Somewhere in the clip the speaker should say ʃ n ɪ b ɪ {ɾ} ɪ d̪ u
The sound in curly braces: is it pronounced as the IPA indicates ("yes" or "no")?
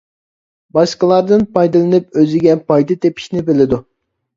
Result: no